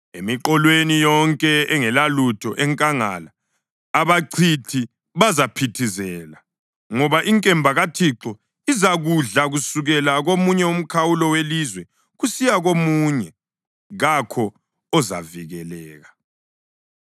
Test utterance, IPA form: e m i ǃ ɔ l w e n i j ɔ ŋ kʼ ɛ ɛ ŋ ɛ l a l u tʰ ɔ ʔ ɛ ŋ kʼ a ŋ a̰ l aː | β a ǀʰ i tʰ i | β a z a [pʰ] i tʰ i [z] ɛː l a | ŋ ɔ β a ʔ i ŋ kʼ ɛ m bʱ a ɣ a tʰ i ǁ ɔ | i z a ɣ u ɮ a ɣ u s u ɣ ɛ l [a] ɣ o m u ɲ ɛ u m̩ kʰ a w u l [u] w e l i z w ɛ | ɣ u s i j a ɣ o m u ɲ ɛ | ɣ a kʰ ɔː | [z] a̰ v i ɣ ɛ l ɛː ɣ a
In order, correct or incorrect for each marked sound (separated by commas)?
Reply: correct, correct, correct, incorrect, correct